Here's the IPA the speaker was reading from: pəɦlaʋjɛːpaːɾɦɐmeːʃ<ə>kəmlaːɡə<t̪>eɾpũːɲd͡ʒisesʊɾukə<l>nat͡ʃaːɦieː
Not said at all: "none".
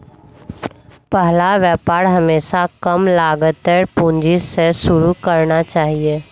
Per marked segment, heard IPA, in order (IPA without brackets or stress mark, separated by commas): a, t̪, ɾ